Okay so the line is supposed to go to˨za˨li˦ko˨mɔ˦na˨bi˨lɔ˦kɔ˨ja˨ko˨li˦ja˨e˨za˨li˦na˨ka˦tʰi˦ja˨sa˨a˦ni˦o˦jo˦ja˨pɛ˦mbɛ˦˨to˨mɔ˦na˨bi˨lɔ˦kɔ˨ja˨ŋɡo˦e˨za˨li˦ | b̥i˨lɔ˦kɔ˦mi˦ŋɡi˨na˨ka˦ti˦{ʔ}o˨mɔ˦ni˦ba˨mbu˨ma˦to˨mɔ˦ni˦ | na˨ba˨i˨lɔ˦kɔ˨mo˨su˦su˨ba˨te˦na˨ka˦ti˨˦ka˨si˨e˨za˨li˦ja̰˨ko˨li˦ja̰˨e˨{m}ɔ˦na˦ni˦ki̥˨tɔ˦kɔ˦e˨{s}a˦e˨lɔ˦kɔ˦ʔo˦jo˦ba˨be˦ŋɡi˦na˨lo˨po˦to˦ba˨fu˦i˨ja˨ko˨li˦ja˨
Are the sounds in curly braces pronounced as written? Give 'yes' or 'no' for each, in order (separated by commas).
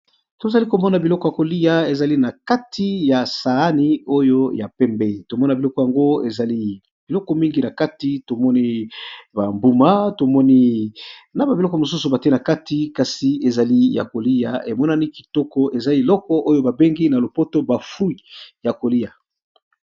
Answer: no, yes, no